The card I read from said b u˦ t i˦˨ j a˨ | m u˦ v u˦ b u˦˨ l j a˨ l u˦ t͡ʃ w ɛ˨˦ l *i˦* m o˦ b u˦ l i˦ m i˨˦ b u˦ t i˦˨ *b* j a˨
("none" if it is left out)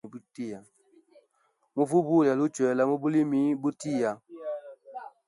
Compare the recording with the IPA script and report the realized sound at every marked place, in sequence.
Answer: a˦, none

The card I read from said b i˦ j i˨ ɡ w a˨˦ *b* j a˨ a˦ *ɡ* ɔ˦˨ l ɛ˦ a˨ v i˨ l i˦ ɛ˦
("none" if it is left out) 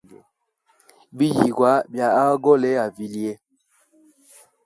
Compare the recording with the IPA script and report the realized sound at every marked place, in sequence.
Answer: b, ɡ

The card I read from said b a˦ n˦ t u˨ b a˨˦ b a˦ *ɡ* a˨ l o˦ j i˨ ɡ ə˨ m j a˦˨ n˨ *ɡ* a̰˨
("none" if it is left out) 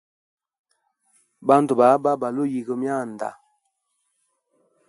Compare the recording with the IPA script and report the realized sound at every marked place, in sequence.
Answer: b, d

